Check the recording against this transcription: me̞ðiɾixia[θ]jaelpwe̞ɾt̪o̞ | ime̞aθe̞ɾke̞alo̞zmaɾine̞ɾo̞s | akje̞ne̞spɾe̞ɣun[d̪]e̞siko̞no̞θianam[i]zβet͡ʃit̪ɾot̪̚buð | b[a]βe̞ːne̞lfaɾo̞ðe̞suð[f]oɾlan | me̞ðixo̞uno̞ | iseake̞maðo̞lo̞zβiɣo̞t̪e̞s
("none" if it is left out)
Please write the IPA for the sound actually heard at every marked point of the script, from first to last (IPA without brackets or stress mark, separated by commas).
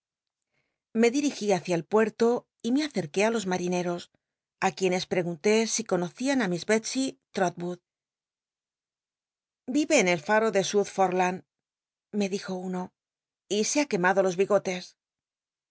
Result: θ, t̪, i, i, f